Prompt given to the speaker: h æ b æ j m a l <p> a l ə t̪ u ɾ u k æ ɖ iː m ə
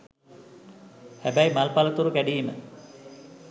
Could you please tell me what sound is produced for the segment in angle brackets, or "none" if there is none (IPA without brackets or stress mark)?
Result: p